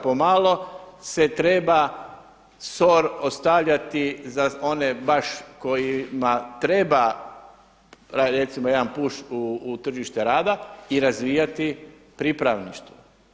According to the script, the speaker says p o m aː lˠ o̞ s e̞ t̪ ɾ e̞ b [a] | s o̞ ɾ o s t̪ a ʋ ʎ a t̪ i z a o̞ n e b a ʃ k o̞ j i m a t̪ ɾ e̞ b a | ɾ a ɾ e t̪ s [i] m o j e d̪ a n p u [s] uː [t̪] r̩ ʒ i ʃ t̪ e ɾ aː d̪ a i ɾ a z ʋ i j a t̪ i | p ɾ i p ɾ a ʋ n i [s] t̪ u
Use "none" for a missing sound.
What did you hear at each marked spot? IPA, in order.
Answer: a, i, ʃ, t̪, ʃ

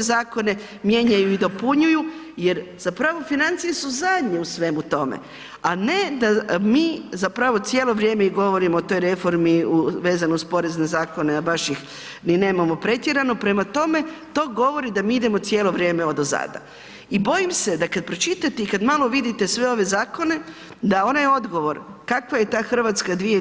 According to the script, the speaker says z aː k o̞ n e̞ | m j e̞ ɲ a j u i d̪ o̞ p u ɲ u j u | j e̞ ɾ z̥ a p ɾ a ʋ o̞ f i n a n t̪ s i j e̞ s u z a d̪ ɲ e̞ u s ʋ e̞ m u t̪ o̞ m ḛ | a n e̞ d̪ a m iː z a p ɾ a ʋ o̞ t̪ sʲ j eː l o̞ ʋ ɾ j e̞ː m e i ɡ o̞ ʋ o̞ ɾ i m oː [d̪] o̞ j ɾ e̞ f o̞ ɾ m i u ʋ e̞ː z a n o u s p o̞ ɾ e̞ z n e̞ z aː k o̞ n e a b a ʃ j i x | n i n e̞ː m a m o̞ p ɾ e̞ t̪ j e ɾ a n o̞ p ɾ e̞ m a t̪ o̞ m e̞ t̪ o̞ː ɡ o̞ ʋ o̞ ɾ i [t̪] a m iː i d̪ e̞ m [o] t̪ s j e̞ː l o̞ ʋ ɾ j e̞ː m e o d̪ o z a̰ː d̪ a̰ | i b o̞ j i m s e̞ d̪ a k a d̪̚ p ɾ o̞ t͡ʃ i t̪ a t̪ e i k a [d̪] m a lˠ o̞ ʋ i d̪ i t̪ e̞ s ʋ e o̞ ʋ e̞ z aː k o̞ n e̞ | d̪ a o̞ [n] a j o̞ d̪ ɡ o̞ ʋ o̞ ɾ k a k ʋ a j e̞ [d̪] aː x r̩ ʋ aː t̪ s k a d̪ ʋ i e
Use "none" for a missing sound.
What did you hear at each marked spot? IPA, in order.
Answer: t̪, d̪, o, d̪, n, t̪

